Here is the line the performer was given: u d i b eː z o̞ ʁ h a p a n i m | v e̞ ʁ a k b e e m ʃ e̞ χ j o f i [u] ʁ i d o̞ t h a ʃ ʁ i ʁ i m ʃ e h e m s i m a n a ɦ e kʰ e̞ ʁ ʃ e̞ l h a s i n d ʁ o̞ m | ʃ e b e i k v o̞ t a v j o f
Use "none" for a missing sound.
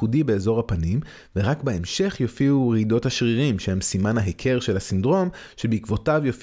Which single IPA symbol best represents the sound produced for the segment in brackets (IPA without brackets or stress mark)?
u